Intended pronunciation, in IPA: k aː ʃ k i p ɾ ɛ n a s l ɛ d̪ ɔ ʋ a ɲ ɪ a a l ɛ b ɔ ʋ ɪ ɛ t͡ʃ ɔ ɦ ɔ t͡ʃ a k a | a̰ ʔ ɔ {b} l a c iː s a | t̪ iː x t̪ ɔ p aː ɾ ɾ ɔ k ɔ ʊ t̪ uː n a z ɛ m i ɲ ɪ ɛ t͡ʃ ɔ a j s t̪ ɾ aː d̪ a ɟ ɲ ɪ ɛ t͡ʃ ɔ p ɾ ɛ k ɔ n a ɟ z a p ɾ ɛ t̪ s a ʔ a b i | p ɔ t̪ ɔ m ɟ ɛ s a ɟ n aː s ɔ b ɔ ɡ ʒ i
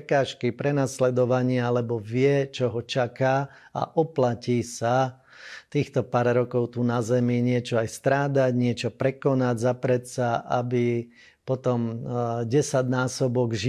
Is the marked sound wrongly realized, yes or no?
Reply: yes